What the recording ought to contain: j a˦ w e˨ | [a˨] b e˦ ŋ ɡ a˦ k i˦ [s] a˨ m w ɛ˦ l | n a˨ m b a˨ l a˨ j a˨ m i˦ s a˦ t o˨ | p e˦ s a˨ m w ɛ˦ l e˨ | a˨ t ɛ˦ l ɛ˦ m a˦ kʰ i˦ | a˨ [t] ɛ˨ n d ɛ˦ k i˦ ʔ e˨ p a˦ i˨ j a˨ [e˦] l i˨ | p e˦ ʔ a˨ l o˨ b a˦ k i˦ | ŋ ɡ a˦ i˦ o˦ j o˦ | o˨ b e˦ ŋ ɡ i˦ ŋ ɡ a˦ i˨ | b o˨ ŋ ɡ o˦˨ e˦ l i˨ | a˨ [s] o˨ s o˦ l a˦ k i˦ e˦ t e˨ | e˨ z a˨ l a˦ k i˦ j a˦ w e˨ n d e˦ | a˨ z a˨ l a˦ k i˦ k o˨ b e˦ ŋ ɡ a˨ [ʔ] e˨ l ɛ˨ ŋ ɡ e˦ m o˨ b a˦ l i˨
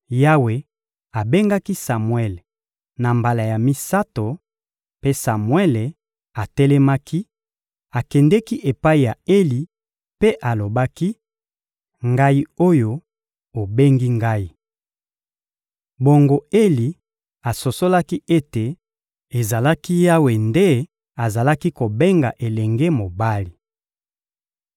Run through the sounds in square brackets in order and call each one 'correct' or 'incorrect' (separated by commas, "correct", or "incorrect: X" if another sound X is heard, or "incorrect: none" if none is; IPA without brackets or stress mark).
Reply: correct, correct, incorrect: k, correct, correct, correct